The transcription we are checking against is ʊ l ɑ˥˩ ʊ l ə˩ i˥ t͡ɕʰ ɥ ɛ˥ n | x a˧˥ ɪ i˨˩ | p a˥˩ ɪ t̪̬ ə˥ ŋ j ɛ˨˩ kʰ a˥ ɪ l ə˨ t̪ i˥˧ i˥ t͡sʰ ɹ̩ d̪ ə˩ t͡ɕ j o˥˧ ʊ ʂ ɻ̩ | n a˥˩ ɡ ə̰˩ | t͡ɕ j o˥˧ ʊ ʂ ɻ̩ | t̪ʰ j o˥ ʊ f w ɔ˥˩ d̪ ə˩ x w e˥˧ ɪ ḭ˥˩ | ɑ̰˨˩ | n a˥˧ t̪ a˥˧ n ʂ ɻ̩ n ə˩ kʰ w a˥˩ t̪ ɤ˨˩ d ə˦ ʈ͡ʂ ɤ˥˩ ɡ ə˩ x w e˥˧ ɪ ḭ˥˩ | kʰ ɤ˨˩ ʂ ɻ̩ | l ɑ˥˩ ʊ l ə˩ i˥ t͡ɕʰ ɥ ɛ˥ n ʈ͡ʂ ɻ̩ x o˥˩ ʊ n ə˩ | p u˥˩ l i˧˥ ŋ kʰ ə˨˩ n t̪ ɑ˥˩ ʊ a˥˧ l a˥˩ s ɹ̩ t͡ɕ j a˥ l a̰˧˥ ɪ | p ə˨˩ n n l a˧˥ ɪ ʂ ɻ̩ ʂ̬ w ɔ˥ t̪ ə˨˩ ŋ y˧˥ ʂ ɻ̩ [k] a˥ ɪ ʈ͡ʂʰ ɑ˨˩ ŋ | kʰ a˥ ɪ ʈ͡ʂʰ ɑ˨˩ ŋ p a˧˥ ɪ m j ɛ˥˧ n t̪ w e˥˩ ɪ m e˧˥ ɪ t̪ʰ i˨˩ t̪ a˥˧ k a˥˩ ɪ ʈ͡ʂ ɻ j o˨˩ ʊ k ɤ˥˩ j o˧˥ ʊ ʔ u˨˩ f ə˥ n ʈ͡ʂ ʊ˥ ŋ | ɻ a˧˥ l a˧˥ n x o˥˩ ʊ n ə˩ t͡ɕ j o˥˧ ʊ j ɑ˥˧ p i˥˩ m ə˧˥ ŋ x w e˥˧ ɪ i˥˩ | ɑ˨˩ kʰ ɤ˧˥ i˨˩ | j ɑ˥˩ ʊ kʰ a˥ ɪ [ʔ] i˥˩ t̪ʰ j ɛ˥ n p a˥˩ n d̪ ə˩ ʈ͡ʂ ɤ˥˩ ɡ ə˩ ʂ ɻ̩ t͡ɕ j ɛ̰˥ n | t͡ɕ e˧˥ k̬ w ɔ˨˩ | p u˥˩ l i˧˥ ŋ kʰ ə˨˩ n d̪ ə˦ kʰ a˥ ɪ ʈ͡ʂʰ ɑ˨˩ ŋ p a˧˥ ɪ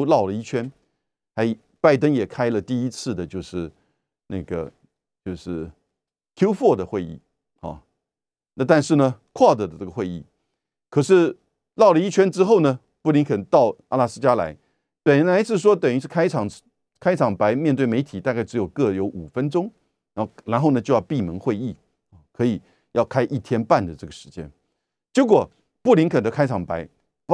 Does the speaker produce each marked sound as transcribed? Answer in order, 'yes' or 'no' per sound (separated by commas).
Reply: no, yes